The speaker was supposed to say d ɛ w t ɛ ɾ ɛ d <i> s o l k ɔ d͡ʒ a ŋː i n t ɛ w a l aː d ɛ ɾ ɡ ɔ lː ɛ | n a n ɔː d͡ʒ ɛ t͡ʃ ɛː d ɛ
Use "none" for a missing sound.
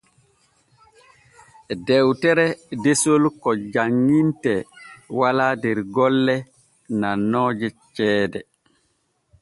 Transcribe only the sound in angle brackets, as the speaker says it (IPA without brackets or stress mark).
e